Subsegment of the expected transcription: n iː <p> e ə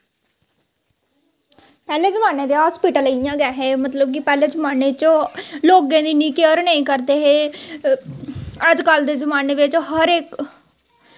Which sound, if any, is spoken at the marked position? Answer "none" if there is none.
k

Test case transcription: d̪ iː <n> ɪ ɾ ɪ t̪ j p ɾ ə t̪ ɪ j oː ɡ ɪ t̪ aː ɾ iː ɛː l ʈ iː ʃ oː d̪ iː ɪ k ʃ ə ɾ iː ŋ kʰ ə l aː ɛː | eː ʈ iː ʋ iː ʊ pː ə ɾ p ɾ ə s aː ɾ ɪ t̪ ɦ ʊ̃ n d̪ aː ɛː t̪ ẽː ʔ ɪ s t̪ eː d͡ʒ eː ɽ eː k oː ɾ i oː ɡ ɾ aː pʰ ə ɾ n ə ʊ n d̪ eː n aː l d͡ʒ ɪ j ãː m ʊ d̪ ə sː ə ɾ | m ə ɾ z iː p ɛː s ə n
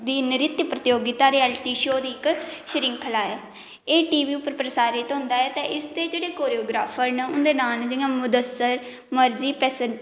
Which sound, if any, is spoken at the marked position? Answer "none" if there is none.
n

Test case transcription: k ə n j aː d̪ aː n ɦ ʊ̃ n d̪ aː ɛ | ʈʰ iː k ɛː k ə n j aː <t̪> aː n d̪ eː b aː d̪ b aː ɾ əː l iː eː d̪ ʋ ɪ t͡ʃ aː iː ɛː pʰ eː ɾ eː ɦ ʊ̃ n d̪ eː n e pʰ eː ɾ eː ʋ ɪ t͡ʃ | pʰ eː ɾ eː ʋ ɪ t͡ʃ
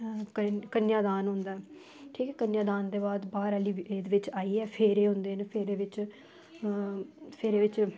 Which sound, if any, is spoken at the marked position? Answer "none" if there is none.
d̪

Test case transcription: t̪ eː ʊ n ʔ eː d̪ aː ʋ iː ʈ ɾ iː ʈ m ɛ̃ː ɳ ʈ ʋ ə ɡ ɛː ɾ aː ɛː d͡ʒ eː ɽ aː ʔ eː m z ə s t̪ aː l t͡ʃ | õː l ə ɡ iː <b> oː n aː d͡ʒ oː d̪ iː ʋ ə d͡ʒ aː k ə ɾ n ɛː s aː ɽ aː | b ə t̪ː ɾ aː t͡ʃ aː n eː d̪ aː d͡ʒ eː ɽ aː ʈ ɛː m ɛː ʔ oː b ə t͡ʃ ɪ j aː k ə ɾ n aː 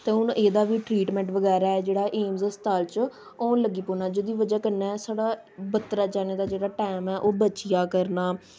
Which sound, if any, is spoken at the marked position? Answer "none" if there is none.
p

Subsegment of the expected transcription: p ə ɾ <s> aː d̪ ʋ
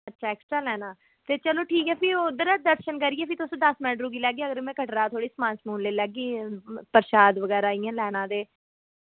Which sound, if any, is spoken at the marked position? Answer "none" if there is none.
ʃ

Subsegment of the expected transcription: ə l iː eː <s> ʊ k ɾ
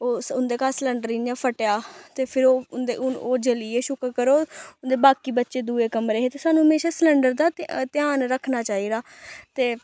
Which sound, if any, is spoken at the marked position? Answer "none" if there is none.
ʃ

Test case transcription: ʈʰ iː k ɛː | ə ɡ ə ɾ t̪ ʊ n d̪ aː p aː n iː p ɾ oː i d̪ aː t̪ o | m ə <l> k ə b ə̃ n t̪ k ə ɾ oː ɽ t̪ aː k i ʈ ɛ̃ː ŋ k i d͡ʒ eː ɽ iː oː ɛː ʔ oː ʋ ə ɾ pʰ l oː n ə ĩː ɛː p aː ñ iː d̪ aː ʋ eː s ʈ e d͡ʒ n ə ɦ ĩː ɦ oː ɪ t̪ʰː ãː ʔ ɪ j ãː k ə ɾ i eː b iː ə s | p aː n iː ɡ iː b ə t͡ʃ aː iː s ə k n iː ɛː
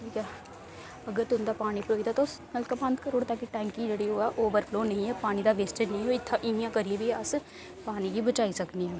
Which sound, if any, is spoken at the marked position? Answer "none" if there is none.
l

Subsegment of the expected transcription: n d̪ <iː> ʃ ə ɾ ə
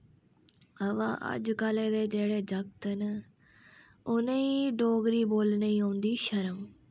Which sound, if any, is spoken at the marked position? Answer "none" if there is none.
iː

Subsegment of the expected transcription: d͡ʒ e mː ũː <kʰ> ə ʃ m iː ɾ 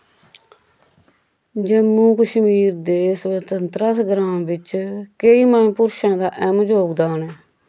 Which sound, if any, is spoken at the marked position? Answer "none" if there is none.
k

